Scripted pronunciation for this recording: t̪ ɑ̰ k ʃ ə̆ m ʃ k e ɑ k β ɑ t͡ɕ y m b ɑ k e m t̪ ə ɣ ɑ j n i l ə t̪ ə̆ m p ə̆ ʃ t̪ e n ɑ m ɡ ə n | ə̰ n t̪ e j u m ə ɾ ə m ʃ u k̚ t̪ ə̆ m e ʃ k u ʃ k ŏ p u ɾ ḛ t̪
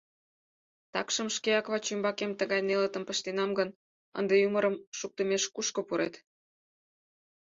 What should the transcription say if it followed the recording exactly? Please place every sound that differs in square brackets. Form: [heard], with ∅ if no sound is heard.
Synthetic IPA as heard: t̪ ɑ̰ k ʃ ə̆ m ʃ k e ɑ k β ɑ t͡ɕ y m b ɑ k e m t̪ ə ɣ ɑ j n [e] l ə t̪ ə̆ m p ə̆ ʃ t̪ e n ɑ m ɡ ə n | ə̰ n [d̪] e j u m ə ɾ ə m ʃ u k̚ t̪ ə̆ m e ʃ k u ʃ k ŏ p u ɾ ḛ t̪